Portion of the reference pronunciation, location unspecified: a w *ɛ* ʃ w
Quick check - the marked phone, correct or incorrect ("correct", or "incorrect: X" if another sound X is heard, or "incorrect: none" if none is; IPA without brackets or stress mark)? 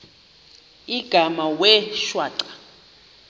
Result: correct